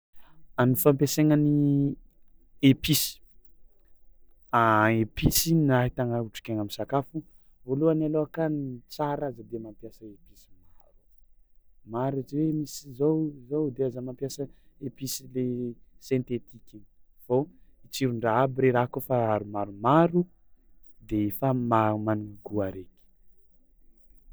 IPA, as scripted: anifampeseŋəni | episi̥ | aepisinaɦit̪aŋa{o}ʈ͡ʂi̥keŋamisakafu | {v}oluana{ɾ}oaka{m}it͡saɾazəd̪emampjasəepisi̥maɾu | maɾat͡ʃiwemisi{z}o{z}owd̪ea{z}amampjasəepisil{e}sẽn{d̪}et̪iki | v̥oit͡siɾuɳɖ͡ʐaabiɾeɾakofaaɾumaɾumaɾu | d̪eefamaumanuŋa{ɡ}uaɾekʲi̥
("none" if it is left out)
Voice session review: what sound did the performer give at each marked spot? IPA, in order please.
u, v, l, n, z, z, z, e, t̪, ɡ

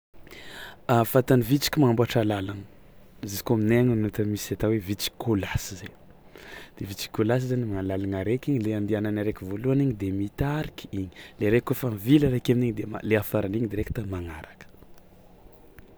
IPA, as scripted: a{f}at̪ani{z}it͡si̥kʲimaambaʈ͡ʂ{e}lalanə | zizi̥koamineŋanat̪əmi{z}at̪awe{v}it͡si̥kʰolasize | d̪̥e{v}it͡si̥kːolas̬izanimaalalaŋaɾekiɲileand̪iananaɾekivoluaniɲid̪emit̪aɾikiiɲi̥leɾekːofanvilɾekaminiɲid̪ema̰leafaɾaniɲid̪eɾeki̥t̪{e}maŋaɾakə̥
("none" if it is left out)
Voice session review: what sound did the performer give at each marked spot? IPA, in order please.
f, v, a, s, v, v, a

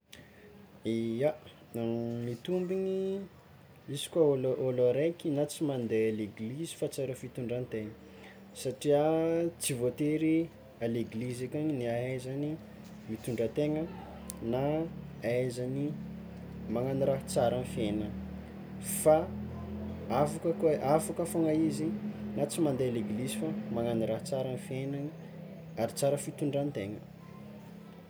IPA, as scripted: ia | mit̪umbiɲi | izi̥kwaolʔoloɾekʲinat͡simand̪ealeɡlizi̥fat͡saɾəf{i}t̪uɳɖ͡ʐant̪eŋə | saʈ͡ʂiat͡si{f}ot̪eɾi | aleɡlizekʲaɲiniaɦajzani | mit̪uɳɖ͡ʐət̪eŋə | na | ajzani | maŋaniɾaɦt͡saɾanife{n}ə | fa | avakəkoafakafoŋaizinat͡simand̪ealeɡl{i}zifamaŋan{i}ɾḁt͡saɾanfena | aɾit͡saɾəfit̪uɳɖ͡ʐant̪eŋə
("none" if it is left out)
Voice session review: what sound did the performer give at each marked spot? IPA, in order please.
i, v, n, i, i

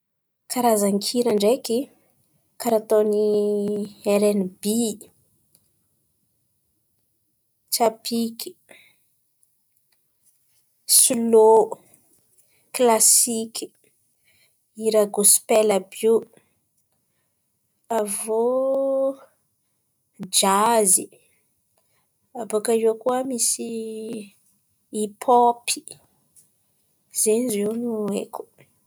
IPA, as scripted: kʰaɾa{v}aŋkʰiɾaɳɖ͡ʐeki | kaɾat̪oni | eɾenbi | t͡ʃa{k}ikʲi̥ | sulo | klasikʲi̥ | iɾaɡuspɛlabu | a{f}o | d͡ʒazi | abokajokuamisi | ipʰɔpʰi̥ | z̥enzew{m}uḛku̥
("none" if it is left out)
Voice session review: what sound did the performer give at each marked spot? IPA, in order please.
z, p, v, n

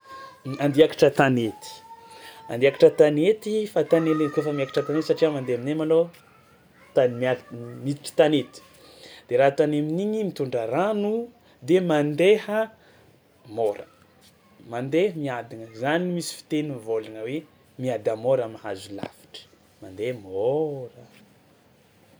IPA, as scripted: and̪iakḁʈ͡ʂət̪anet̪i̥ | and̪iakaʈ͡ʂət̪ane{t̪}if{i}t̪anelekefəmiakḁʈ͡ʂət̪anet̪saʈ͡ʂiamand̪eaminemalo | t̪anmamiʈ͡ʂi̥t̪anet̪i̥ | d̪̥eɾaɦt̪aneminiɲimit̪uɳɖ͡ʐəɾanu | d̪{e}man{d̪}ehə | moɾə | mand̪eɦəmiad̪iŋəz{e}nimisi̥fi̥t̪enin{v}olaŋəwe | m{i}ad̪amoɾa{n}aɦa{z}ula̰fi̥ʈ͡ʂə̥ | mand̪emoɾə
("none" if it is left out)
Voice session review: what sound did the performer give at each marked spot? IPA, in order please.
t̪, a, e, d̪, a, v, i, m, z

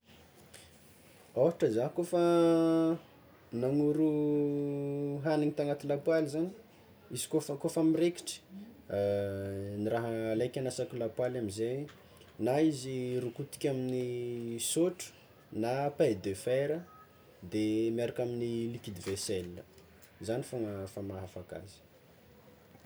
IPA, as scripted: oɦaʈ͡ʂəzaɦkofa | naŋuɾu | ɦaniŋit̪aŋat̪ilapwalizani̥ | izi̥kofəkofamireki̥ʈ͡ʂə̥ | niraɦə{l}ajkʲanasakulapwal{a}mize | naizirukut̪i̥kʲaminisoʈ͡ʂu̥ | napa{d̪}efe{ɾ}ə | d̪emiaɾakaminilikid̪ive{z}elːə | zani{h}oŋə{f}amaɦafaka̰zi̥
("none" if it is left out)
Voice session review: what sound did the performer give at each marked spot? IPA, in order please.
l, a, d̪, ɾ, s, f, f

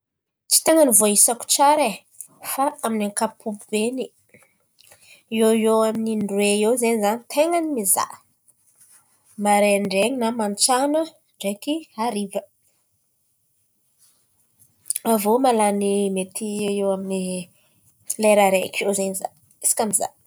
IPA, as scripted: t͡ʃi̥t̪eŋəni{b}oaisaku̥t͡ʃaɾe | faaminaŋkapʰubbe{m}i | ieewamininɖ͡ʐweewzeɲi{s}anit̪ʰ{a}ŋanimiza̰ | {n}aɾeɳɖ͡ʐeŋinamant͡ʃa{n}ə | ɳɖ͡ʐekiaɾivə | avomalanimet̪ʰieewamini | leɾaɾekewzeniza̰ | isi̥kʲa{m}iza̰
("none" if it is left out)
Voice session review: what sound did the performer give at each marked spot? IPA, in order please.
v, n, z, e, m, n, m

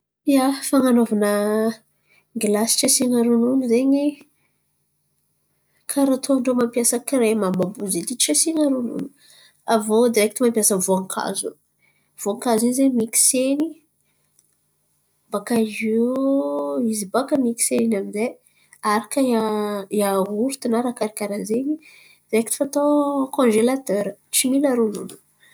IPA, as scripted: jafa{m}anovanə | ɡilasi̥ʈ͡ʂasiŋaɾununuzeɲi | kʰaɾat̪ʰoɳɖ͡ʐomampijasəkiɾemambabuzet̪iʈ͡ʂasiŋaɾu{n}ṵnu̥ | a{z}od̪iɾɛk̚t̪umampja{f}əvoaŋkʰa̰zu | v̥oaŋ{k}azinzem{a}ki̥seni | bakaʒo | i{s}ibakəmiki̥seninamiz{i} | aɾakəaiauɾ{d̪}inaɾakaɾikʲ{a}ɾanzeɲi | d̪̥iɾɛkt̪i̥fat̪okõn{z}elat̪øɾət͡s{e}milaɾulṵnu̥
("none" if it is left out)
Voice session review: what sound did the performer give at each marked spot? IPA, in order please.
ŋ, n, v, s, k, i, z, e, t̪, a, ʒ, i

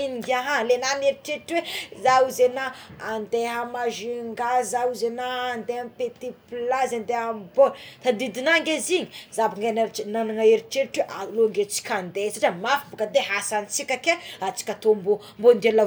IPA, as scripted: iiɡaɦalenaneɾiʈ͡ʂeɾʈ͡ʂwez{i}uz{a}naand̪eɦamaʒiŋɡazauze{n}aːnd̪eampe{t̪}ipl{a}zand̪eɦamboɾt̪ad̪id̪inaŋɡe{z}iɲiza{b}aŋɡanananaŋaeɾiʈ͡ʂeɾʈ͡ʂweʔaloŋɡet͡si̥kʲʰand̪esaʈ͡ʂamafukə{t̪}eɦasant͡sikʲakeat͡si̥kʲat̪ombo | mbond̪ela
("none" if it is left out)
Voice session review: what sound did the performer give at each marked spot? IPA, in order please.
a, e, n, t̪, a, z, b, d̪

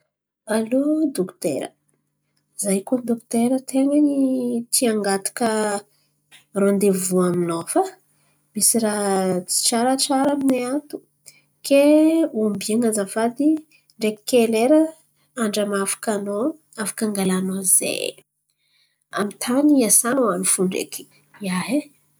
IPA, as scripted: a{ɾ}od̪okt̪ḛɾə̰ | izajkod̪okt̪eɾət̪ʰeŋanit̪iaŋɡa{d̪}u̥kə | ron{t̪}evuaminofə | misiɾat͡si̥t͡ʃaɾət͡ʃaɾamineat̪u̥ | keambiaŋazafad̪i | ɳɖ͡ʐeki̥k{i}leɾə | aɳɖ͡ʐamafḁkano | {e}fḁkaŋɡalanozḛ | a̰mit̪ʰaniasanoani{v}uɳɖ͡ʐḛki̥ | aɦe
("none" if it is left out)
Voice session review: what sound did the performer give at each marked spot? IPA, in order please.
l, t̪, d̪, e, a, f

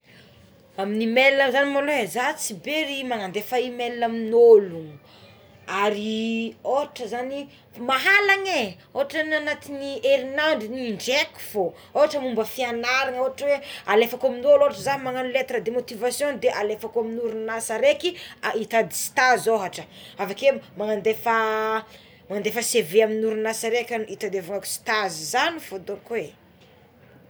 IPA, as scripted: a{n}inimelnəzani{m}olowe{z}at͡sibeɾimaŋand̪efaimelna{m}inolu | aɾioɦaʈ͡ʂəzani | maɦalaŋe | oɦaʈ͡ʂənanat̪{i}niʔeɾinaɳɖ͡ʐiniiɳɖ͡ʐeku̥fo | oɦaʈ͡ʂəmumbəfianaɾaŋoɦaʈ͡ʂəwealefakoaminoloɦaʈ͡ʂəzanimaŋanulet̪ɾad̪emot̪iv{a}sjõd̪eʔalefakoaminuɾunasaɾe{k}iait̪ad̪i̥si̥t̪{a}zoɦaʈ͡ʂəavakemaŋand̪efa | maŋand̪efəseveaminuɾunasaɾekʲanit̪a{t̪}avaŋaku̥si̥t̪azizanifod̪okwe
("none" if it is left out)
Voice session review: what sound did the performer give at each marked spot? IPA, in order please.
m, m, z, m, i, a, k, a, d̪

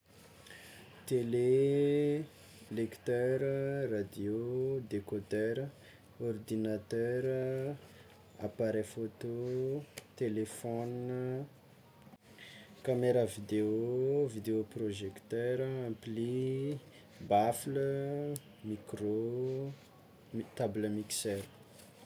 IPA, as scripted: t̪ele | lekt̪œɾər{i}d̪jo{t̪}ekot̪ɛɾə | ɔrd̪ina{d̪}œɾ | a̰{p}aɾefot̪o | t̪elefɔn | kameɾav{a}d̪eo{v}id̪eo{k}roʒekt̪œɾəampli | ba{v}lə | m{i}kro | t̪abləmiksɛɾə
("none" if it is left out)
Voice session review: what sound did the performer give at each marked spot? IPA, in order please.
a, d̪, t̪, p, i, v, p, f, i

